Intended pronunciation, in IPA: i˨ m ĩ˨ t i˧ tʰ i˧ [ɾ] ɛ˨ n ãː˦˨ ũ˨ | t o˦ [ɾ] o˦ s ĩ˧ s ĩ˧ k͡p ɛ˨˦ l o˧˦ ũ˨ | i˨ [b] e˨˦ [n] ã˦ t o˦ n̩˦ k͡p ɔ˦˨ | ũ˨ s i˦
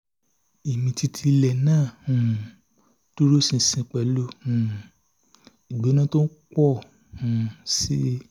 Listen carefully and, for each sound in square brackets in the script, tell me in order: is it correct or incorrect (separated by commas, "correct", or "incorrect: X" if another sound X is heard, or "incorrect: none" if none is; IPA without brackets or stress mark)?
incorrect: l, correct, incorrect: ɡ͡b, correct